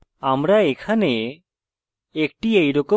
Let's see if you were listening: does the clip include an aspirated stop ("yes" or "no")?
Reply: yes